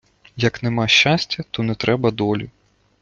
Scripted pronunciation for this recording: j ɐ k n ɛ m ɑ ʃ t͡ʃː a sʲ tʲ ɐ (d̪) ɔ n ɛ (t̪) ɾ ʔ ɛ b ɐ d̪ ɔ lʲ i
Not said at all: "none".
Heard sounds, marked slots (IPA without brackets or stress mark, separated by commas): t̪, t̪